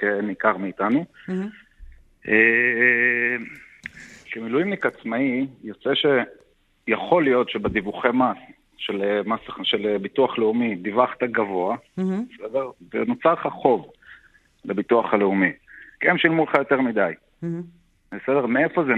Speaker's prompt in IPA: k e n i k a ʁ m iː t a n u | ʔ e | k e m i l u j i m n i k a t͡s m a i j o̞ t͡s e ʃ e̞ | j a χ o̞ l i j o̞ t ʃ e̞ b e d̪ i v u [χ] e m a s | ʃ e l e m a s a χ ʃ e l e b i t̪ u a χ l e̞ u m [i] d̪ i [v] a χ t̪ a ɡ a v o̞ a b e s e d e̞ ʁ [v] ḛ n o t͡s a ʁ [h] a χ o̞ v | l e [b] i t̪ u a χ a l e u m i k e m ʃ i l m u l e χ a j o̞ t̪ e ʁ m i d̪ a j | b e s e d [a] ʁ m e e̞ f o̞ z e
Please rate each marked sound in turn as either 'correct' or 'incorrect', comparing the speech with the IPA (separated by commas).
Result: correct, correct, correct, correct, incorrect, correct, incorrect